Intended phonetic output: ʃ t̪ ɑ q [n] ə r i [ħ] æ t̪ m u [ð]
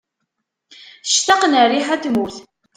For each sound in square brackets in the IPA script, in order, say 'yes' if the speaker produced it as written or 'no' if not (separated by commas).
yes, yes, no